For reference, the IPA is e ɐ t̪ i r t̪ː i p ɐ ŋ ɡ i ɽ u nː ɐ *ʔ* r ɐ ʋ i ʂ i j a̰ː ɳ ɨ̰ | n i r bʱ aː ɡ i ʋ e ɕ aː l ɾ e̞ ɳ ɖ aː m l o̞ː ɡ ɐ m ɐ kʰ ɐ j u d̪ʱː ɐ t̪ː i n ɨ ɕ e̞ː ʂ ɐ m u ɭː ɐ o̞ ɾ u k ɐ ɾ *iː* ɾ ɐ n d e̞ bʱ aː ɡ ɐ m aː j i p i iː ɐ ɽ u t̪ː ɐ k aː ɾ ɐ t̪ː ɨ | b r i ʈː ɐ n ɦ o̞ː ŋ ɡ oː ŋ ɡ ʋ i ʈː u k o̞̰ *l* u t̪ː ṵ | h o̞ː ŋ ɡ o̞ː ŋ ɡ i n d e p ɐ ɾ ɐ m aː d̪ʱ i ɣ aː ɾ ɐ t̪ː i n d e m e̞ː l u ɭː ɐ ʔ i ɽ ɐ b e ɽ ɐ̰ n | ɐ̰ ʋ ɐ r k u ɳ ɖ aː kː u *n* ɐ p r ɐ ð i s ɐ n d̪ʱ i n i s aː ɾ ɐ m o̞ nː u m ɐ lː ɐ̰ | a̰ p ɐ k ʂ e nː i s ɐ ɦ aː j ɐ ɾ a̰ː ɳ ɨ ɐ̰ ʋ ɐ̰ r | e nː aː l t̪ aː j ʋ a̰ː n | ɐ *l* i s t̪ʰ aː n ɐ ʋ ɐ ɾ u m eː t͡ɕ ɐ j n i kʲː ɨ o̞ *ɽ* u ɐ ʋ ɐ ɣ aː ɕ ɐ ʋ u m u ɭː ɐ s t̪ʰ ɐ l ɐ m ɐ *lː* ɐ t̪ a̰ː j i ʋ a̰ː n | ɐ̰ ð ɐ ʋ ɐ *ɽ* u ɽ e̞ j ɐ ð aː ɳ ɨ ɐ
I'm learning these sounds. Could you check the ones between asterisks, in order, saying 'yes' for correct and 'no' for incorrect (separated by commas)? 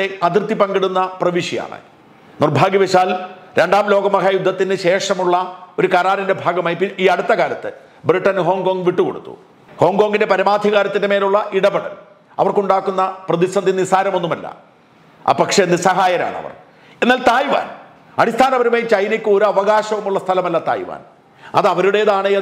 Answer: no, no, no, no, no, no, yes, no